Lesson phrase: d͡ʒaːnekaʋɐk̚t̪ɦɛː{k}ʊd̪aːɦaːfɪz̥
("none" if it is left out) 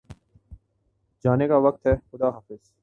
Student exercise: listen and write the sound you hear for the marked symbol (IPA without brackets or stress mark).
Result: x